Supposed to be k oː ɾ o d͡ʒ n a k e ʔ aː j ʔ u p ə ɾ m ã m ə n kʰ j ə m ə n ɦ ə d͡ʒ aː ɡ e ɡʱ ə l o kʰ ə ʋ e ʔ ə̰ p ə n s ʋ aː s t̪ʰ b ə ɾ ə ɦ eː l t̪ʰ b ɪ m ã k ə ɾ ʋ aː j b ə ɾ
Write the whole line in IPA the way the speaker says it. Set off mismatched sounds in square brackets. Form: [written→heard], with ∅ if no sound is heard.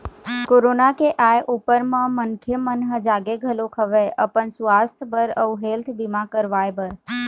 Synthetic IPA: k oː ɾ o [d͡ʒ→∅] n a k e ʔ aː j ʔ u p ə ɾ m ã m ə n kʰ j ə m ə n ɦ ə d͡ʒ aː ɡ e ɡʱ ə l o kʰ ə ʋ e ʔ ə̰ p ə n s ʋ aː s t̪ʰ b ə ɾ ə ɦ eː l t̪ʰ b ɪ m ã k ə ɾ ʋ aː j b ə ɾ

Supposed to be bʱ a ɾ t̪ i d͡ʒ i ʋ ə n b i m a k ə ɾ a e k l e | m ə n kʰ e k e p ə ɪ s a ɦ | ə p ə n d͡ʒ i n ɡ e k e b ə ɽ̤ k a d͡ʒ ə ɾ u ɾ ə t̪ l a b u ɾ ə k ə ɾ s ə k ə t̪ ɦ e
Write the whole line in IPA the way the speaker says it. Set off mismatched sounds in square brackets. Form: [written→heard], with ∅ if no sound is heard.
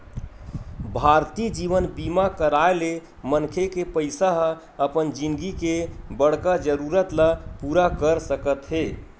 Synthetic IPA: bʱ a ɾ t̪ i d͡ʒ i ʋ ə n b i m a k ə ɾ a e [k→∅] l e | m ə n kʰ e k e p ə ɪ s a ɦ | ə p ə n d͡ʒ i n ɡ [e→i] k e b ə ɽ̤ k a d͡ʒ ə ɾ u ɾ ə t̪ l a [b→p] u ɾ [ə→a] k ə ɾ s ə k ə t̪ ɦ e

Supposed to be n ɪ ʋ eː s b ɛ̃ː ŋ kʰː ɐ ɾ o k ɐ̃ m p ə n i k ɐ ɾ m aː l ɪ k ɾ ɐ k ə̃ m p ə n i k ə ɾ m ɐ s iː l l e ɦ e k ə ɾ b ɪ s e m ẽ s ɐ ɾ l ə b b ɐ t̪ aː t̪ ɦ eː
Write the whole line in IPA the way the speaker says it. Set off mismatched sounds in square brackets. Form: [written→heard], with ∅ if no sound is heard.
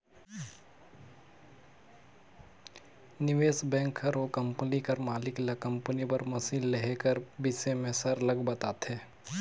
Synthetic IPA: n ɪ ʋ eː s b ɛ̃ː ŋ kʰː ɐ ɾ o k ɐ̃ m p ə n i k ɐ ɾ m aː l ɪ k [ɾ→l] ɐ k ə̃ m p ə n i [k→p] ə ɾ m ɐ s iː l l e ɦ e k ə ɾ b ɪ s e m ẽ s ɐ ɾ l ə [b→ɡ] b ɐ t̪ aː t̪ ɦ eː

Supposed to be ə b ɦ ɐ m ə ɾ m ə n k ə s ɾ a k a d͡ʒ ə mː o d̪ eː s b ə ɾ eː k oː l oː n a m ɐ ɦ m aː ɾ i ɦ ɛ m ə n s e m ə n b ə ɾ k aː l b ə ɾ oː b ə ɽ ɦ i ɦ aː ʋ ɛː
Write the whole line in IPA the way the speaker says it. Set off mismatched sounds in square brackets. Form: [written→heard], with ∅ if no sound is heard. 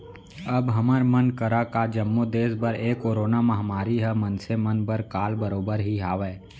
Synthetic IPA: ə b ɦ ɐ m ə ɾ m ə n k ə [s→∅] ɾ a k a d͡ʒ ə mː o d̪ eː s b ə ɾ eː k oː [l→ɾ] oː n a m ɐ ɦ m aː ɾ i ɦ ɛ m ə n s e m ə n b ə ɾ k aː l b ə ɾ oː b ə [ɽ→ɾ] ɦ i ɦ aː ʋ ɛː

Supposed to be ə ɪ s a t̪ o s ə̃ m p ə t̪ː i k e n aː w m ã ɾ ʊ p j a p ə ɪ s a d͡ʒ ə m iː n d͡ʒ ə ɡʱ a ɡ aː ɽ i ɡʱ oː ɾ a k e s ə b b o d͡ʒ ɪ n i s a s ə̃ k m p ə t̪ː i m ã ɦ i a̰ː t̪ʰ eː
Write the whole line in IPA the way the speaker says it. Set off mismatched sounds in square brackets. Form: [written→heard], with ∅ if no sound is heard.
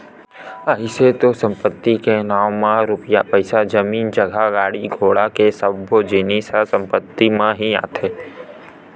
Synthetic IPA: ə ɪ s [a→e] t̪ o s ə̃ m p ə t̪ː i k e n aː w m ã ɾ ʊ p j a p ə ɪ s a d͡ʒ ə m iː n d͡ʒ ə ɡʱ a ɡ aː ɽ i ɡʱ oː [ɾ→ɽ] a k e s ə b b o d͡ʒ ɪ n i s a s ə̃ [k→∅] m p ə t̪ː i m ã ɦ i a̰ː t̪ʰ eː

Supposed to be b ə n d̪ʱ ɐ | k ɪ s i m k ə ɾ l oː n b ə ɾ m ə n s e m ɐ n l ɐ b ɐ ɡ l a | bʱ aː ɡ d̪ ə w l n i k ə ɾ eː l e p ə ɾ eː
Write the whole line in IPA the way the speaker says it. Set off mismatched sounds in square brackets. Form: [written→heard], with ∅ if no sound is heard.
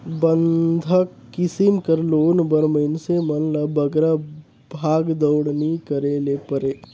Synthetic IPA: b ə n d̪ʱ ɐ | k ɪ s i m k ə ɾ l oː n b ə ɾ m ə n s e m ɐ n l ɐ b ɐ ɡ [l→ɾ] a | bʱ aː ɡ d̪ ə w [l→ɽ] n i k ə ɾ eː l e p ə ɾ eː

